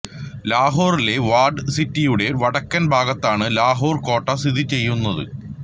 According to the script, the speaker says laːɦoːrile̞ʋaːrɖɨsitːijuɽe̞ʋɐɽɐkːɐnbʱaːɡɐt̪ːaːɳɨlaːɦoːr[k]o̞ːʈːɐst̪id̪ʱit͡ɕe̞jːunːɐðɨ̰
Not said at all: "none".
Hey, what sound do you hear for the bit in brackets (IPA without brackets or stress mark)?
k